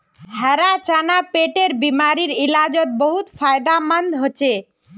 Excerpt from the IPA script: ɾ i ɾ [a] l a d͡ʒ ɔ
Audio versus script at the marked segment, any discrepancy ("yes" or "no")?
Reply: yes